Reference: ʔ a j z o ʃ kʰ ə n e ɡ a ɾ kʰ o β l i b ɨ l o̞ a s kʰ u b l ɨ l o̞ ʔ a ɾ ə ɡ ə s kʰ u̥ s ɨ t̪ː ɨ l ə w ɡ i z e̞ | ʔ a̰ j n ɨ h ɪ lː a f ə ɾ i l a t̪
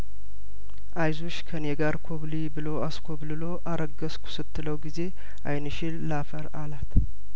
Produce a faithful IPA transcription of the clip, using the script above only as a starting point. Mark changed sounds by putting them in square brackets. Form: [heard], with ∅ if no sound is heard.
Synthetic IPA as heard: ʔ a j z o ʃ kʰ ə n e ɡ a ɾ kʰ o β l i b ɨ l o̞ a s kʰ [o] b l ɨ l o̞ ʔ a ɾ ə ɡ ə s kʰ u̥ s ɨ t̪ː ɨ l ə w ɡ i z e̞ | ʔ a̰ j n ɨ [ʃ] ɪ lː a f ə ɾ [a] l a t̪